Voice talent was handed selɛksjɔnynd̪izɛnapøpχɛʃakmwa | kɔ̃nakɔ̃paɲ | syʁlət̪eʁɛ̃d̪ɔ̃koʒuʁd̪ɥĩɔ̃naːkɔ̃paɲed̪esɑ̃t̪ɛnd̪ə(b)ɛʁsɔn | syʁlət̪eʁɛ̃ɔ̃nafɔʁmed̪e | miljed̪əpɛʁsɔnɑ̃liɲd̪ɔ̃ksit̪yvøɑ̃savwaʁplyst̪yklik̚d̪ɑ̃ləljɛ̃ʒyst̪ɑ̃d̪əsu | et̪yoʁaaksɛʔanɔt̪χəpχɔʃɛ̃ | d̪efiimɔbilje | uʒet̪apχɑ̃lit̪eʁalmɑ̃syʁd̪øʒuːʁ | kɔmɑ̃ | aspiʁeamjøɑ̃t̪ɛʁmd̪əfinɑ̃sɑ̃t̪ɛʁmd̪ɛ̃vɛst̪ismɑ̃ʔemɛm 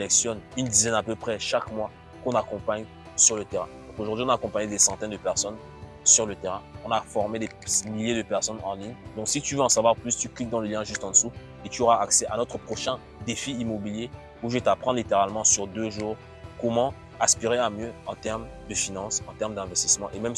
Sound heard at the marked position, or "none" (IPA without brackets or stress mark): p